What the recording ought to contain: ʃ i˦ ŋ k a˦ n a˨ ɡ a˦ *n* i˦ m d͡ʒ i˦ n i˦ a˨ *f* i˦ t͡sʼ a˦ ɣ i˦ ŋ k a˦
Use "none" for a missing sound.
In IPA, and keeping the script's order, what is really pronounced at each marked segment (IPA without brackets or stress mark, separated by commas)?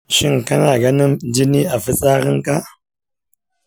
n, f